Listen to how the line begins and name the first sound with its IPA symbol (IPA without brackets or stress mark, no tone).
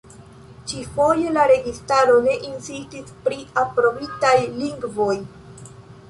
t͡ʃ